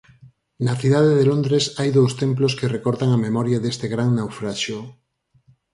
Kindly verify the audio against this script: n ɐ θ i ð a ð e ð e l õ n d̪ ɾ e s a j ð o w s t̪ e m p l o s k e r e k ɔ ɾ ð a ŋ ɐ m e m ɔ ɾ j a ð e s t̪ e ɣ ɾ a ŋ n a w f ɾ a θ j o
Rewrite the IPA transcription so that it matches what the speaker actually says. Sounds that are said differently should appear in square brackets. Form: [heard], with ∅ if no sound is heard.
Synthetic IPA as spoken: n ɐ θ i ð a ð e ð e l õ n d̪ ɾ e s a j ð o w s t̪ e m p l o s k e r e k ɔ ɾ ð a ŋ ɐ m e m ɔ ɾ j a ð e s t̪ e ɣ ɾ a ŋ n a w f ɾ a [ʃ] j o